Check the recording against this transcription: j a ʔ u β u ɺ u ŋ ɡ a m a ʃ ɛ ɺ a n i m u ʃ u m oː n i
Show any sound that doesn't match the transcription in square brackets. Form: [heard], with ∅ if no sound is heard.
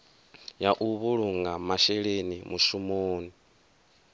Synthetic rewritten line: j a ʔ u β u ɺ u ŋ ɡ a m a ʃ ɛ ɺ [e] n i m u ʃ u m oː n i